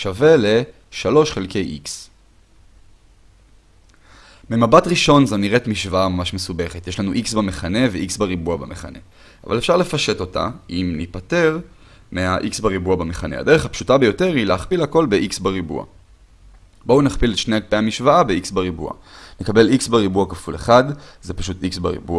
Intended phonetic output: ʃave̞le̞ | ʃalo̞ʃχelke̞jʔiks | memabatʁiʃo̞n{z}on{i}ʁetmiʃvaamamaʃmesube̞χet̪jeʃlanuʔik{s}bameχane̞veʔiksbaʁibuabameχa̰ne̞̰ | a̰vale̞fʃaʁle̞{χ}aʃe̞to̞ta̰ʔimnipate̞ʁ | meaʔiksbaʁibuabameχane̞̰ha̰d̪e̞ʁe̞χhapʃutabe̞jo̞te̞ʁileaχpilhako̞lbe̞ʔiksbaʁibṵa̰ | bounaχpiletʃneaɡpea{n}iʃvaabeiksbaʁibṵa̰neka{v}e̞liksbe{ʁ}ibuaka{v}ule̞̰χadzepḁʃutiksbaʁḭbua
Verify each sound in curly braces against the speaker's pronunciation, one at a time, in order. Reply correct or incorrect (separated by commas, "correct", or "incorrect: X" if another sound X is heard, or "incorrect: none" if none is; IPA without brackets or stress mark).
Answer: correct, correct, correct, incorrect: f, incorrect: m, incorrect: b, correct, incorrect: f